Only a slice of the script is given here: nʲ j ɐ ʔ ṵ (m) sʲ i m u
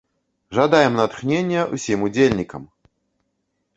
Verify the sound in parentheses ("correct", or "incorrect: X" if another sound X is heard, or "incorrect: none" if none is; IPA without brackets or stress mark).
incorrect: none